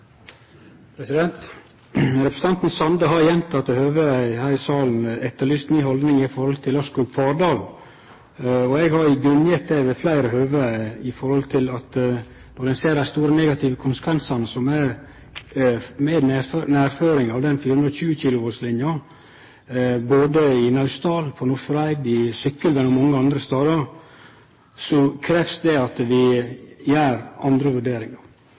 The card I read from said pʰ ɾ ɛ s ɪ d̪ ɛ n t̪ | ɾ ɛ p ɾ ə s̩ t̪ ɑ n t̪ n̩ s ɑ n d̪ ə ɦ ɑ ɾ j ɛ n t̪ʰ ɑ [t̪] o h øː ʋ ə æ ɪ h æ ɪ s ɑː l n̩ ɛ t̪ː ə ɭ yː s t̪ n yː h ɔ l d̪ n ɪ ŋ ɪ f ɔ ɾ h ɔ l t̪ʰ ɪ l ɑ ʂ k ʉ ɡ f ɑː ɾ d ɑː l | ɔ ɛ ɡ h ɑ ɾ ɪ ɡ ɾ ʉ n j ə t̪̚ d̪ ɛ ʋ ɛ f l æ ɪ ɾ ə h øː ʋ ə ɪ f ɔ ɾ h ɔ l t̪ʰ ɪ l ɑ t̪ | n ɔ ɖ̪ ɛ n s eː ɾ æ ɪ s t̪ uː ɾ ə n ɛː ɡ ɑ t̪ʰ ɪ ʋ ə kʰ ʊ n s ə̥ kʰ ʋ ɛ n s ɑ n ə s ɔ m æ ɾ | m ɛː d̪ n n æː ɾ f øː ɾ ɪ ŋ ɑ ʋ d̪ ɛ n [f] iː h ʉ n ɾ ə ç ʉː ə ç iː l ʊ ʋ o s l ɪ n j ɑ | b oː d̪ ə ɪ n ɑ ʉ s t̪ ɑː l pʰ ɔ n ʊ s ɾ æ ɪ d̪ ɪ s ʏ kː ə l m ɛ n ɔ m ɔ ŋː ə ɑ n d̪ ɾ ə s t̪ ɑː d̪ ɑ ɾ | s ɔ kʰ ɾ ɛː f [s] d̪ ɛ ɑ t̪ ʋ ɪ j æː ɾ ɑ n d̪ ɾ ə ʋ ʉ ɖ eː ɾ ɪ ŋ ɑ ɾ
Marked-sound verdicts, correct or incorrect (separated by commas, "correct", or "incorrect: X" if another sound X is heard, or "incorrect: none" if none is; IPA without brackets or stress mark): correct, correct, correct